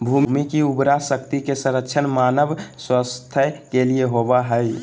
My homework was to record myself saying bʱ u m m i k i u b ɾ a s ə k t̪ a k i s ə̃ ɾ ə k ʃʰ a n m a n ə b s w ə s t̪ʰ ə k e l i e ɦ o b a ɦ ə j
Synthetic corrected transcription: bʱ u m m i k i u b ɾ a s ə k t̪ i k e s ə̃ ɾ ə k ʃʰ ə n m a n ə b s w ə s t̪ʰ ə k e l i e ɦ o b a ɦ ə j